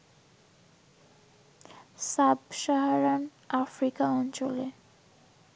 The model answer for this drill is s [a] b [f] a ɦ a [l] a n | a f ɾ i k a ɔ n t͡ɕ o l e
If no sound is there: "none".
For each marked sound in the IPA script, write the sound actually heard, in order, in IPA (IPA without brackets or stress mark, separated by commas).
a, ʃ, ɾ